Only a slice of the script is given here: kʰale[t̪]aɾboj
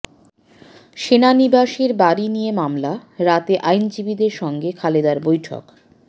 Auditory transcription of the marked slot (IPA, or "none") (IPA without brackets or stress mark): d̪